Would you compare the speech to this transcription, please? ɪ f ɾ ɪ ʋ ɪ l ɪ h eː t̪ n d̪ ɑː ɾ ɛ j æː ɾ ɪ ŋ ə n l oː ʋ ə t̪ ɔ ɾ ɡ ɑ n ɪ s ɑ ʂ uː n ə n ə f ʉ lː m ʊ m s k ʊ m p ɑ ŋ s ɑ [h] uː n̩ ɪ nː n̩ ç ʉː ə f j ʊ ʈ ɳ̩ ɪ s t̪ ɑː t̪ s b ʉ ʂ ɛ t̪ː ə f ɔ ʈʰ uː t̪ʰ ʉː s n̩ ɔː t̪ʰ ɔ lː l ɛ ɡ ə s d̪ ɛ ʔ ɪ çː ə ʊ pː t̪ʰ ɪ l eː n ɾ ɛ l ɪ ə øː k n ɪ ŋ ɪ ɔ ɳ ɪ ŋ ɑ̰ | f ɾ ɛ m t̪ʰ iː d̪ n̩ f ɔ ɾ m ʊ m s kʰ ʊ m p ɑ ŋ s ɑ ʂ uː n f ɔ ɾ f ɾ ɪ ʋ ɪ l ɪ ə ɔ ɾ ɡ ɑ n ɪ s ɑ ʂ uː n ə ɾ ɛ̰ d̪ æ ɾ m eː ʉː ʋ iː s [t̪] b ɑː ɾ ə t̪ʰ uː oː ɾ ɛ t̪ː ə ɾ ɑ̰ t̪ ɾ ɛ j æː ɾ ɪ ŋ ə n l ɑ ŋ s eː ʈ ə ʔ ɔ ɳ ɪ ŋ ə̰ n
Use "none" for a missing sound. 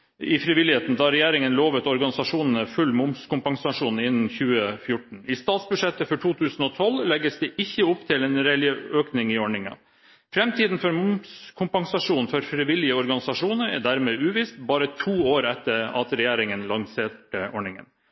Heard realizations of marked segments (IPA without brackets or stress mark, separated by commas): ʂ, t̪